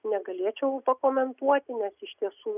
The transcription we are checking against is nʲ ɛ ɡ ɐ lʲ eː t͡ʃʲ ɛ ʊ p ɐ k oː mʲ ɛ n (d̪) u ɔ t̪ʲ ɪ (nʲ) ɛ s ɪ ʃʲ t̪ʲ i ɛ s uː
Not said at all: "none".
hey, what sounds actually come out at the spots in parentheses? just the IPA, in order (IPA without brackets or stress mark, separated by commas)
t̪, nʲ